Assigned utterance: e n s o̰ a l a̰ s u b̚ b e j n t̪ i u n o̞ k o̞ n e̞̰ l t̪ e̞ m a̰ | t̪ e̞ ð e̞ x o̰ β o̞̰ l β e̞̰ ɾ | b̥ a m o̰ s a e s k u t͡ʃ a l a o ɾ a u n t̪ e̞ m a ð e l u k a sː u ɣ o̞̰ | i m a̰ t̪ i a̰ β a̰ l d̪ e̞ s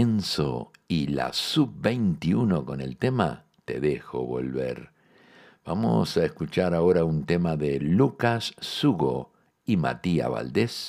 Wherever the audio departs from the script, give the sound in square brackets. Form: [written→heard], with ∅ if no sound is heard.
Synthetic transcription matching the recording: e n s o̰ [a→i] l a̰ s u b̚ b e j n t̪ i u n o̞ k o̞ n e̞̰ l t̪ e̞ m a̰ | t̪ e̞ ð e̞ x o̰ β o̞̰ l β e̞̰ ɾ | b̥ a m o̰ s a e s k u t͡ʃ a [l→ɾ] a o ɾ a u n t̪ e̞ m a ð e l u k a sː u ɣ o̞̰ | i m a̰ t̪ i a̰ β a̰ l d̪ e̞ s